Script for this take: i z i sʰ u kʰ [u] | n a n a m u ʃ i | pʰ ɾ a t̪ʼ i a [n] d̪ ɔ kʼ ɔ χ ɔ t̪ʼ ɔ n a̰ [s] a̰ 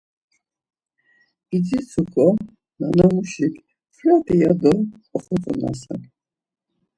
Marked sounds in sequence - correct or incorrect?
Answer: incorrect: ɔ, incorrect: none, correct

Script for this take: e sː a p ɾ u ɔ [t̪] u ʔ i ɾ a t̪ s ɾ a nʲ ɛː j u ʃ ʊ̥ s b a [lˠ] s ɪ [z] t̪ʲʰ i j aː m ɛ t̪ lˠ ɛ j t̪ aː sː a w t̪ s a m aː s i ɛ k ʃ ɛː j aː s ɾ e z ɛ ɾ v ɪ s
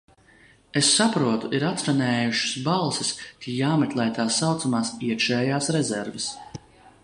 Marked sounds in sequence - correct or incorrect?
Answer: correct, correct, incorrect: s

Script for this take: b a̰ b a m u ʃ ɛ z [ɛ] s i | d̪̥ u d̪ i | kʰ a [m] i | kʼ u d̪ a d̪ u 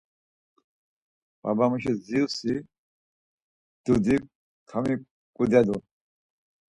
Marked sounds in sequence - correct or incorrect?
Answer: incorrect: i, correct

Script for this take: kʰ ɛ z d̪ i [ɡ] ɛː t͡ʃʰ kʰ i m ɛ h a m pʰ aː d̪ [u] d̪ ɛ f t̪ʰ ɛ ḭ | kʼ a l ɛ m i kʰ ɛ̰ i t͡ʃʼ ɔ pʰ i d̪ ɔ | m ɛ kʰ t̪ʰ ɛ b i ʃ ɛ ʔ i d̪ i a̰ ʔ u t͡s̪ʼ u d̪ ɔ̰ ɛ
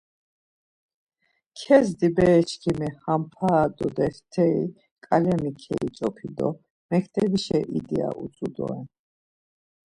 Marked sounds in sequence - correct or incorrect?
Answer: incorrect: b, incorrect: ɔ

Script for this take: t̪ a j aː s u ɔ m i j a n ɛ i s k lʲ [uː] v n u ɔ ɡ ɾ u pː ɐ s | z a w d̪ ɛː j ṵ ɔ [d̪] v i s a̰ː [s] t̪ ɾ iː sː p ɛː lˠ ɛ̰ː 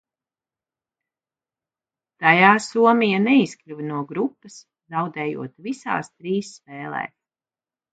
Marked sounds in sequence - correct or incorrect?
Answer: incorrect: u, incorrect: t̪, correct

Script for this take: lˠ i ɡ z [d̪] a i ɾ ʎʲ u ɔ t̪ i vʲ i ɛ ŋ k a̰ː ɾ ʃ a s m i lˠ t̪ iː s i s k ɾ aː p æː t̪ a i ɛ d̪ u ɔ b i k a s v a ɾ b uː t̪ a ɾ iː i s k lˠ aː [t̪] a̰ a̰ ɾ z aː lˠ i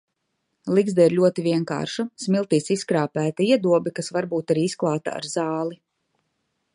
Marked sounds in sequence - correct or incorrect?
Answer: correct, correct

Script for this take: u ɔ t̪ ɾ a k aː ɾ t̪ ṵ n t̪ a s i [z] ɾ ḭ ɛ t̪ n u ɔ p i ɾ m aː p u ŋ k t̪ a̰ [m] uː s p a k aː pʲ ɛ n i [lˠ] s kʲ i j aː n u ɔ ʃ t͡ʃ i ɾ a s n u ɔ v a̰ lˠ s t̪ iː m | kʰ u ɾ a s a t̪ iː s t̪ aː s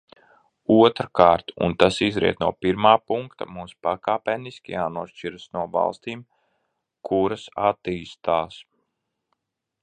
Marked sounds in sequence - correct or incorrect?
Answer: correct, correct, incorrect: none

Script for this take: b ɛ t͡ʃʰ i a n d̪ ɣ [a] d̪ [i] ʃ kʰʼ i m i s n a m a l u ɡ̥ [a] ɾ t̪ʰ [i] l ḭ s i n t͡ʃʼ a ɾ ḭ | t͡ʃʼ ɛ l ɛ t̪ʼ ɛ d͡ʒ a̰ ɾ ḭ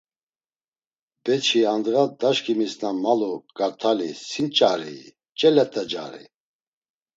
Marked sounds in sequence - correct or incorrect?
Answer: correct, incorrect: a, correct, incorrect: a

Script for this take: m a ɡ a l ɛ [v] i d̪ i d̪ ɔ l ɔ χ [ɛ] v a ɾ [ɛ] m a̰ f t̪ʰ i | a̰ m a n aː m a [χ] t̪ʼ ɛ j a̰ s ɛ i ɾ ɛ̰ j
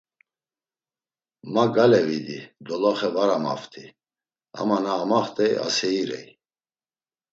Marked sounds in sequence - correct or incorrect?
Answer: correct, correct, incorrect: a, correct

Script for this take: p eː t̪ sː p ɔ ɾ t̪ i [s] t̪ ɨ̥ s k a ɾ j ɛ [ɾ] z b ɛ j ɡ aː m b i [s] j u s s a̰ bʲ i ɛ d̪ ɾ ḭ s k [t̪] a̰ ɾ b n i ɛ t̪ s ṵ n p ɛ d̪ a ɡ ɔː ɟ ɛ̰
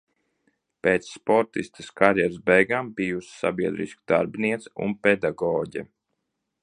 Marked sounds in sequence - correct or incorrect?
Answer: correct, correct, incorrect: none, incorrect: d̪

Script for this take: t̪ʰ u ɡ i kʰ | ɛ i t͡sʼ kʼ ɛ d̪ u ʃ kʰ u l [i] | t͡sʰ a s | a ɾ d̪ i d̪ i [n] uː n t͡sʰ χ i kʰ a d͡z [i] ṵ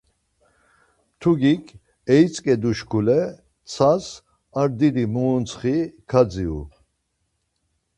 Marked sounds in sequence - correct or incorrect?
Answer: incorrect: ɛ, incorrect: m, correct

